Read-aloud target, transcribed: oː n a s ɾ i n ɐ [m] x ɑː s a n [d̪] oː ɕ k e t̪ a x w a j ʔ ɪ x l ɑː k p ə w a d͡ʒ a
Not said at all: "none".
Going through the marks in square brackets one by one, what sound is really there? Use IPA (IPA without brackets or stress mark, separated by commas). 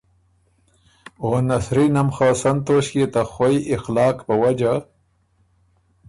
m, t̪